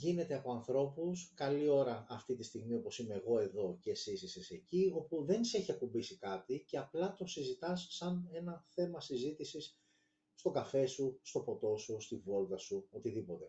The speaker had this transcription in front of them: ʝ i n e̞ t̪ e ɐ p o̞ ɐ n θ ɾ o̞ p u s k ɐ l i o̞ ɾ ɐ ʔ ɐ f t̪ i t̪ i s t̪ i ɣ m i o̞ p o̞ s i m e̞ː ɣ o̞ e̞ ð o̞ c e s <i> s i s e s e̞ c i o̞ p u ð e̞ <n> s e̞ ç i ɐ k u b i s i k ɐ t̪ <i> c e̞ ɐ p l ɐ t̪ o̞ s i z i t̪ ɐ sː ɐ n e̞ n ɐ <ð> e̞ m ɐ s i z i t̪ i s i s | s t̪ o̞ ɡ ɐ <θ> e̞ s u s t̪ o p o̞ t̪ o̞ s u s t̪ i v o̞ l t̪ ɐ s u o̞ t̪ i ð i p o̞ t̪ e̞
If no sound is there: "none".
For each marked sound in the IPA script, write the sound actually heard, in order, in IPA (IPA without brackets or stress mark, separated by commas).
i, n, i, θ, f